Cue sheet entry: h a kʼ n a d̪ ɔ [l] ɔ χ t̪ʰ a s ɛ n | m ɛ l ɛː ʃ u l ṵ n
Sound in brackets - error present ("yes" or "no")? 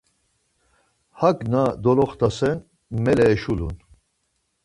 no